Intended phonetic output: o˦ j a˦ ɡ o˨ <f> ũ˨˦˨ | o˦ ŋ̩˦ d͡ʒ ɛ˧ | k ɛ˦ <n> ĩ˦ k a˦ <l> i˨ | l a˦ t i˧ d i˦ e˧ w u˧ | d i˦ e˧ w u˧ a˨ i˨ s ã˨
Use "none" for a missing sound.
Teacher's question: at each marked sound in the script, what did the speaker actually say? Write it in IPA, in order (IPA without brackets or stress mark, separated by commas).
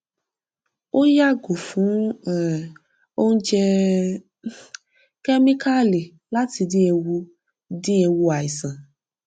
f, m, l